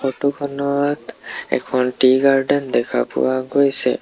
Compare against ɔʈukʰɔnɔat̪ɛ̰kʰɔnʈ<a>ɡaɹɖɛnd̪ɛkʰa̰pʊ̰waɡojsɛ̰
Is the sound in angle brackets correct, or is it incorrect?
incorrect